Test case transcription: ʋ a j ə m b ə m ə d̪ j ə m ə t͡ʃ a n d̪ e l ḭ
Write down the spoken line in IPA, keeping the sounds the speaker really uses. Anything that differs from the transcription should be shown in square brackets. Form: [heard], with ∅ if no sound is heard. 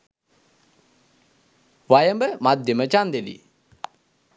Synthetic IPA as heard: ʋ a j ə m b ə m [a] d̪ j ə m ə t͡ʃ a n d̪ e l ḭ